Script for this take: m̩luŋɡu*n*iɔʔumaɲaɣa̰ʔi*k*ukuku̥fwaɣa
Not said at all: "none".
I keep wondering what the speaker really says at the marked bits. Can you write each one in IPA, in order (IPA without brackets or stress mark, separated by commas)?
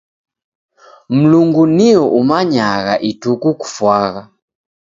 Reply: n, t